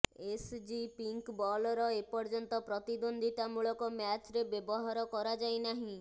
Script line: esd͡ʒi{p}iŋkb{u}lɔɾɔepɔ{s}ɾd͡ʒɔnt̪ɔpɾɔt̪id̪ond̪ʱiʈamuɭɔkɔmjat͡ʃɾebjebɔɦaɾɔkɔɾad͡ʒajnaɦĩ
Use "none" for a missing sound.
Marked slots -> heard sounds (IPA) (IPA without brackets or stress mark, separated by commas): p, ɔ, none